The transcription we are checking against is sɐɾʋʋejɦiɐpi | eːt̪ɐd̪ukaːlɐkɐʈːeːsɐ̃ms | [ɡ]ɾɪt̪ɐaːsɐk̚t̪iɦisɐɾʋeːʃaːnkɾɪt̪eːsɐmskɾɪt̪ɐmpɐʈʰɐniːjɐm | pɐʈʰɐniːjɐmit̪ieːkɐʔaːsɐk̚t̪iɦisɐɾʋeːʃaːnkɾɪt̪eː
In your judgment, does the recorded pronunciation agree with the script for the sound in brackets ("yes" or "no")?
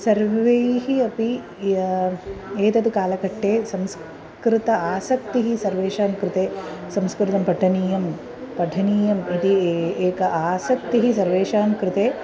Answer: no